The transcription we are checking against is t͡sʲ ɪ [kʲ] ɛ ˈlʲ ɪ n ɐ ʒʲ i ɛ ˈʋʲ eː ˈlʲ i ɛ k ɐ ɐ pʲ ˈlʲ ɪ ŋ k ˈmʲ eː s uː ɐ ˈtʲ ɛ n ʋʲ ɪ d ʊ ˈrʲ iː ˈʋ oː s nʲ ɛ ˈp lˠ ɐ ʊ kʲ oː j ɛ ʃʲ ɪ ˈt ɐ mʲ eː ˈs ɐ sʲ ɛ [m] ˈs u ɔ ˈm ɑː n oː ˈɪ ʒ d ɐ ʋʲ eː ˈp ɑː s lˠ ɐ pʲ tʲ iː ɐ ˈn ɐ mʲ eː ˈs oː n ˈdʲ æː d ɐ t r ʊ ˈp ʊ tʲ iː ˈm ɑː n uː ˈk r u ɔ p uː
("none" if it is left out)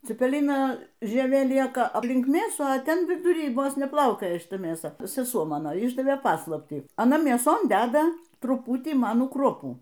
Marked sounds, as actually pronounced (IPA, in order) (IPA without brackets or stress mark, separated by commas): pʲ, none